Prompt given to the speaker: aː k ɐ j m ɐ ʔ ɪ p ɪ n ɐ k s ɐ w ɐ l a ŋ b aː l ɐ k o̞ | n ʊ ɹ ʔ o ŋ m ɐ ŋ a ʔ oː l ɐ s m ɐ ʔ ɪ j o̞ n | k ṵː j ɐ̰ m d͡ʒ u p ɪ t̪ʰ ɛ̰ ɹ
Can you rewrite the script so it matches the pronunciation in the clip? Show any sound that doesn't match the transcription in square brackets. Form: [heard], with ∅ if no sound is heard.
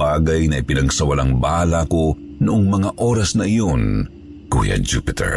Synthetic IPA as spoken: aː [ɡ] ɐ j [n] ɐ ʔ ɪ p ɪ n ɐ [ɡ] s ɐ w ɐ l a ŋ b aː l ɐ k o̞ | n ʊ [∅] ʔ o ŋ m ɐ ŋ a ʔ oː [ɾ] ɐ s [n] ɐ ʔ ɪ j o̞ n | k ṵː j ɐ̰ [∅] d͡ʒ u p ɪ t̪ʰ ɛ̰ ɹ